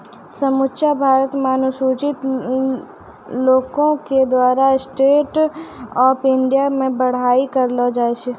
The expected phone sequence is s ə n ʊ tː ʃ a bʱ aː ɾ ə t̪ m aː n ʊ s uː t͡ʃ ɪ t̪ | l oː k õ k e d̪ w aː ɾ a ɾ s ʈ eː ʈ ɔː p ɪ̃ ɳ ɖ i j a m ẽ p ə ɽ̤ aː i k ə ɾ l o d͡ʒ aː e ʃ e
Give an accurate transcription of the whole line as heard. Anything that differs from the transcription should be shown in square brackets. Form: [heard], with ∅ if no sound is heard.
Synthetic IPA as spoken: s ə [m] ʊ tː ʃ a bʱ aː ɾ ə t̪ m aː n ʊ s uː t͡ʃ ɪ t̪ | l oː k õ k e d̪ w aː ɾ a [∅] s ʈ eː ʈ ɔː p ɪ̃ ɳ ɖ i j a m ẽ [b] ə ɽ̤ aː i k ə ɾ l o d͡ʒ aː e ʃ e